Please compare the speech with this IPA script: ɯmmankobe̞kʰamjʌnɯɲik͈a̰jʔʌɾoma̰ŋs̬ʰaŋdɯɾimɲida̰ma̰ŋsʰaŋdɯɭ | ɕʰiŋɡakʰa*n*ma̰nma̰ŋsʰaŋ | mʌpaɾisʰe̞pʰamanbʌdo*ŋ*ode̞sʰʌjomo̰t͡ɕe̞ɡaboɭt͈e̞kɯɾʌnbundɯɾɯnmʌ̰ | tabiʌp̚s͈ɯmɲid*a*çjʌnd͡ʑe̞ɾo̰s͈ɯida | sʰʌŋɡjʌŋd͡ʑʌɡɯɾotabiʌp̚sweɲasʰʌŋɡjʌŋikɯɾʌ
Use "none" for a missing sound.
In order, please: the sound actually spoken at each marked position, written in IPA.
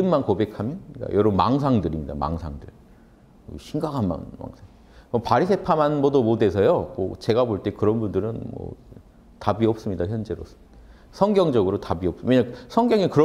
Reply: n, m, a

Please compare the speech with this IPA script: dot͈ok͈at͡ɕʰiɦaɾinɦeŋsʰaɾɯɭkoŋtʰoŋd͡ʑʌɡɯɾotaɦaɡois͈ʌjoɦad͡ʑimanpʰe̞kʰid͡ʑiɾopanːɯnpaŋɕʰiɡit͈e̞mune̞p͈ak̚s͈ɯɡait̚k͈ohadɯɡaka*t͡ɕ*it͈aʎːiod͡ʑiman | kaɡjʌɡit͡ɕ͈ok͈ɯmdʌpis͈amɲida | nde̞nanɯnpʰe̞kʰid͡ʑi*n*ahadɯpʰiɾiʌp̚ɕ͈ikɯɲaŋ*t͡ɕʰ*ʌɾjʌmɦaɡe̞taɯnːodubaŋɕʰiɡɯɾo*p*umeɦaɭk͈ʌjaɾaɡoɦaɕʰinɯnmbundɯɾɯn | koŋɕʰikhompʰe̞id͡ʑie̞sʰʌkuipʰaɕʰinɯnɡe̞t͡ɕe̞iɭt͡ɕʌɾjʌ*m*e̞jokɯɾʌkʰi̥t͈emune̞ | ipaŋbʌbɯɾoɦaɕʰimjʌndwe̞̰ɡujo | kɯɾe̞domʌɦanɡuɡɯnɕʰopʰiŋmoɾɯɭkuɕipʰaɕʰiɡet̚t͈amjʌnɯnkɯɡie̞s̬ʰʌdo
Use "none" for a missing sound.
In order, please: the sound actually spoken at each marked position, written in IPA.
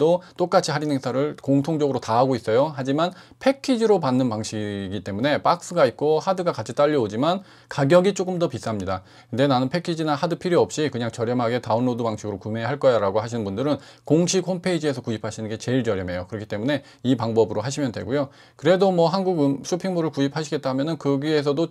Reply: t͡ɕʰ, n, t͡ɕ, k, m

